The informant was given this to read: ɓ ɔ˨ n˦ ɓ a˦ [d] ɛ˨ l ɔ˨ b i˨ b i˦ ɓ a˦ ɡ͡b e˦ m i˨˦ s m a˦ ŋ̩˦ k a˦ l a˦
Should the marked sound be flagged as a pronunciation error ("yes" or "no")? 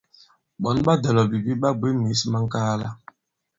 no